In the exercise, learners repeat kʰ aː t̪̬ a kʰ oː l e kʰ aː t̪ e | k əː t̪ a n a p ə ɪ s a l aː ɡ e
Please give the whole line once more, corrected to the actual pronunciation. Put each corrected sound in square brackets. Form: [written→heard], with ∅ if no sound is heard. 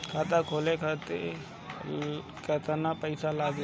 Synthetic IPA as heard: kʰ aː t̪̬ a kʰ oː l e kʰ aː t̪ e | k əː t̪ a n a p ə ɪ s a l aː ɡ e

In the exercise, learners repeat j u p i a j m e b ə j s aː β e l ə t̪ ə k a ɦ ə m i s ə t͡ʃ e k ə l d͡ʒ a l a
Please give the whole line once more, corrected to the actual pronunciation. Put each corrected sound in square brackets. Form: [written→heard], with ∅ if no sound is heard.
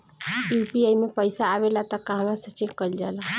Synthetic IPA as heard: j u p i a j m e [b→p] ə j s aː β e l [ə→a] t̪ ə k a ɦ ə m [i→a] s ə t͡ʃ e k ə l d͡ʒ a l a

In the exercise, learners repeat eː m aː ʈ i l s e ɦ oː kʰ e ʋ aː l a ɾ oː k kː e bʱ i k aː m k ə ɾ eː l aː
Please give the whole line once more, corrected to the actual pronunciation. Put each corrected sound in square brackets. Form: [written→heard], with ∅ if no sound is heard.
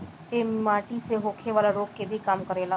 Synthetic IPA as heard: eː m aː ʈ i [l→∅] s e ɦ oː kʰ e ʋ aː l a ɾ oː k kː e bʱ i k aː m k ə ɾ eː l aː

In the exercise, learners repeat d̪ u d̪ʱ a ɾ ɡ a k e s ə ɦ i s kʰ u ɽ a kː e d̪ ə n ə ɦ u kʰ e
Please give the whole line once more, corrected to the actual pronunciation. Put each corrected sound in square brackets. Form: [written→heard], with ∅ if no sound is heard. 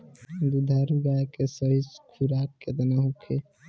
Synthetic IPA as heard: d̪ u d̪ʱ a ɾ ɡ a k e s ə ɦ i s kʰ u [ɽ→ɾ] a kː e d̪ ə n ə ɦ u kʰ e

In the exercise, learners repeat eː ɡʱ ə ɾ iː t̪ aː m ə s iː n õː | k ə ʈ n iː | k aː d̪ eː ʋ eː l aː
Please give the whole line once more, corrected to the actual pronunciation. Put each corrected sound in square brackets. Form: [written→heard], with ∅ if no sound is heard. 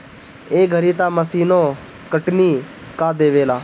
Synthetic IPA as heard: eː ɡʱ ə ɾ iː t̪ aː m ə s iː n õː | k ə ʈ n iː | k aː d̪ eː ʋ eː l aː

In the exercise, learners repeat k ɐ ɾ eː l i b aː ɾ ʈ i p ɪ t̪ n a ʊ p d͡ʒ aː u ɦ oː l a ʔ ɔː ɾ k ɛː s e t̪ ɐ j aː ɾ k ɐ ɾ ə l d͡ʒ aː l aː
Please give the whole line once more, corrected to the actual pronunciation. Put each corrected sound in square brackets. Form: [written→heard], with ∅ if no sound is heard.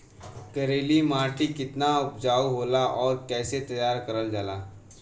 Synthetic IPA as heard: k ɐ ɾ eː l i [b→m] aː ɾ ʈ i [p→k] ɪ t̪ n a ʊ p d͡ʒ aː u ɦ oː l a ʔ ɔː ɾ k ɛː s e t̪ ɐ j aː ɾ k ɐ ɾ ə l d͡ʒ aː l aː

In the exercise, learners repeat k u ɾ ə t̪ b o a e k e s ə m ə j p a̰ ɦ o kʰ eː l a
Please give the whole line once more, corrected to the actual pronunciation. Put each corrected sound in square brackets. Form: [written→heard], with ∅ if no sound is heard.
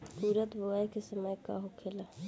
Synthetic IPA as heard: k u ɾ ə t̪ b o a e k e s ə m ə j [p→k] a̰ ɦ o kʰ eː l a

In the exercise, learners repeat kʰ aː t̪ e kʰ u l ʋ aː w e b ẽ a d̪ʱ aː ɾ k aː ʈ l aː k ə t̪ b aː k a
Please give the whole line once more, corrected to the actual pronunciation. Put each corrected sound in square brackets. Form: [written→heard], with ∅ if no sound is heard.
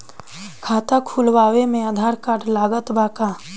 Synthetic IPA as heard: kʰ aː t̪ [e→a] kʰ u l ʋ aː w e [b→m] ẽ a d̪ʱ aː ɾ k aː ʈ l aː [k→ɡ] ə t̪ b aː k a

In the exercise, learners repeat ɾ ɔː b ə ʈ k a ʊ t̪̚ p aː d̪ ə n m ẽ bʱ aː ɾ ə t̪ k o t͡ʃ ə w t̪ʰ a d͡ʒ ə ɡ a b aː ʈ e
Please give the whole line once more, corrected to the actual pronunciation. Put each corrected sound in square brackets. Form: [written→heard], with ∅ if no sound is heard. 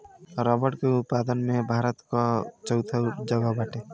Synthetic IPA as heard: ɾ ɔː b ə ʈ k [a→e] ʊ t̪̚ p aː d̪ ə n m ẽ bʱ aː ɾ ə t̪ k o t͡ʃ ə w t̪ʰ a d͡ʒ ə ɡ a b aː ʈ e

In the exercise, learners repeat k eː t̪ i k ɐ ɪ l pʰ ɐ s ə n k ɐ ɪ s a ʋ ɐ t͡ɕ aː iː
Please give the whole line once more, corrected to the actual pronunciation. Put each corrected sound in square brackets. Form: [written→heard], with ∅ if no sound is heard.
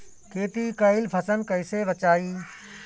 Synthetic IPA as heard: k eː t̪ i k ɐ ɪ l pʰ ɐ s ə n k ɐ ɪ s [a→e] ʋ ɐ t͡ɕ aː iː

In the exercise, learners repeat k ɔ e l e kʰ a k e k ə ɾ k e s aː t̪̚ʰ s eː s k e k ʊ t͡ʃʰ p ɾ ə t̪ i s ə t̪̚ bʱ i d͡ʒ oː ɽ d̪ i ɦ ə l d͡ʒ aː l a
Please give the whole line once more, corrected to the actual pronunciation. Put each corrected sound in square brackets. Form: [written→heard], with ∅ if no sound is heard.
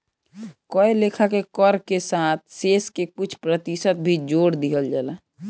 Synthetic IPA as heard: k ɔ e l e kʰ a k e k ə ɾ k e s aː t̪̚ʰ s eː s k e k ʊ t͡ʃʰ p ɾ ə t̪ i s ə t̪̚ bʱ i d͡ʒ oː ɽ d̪ i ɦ ə l d͡ʒ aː l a

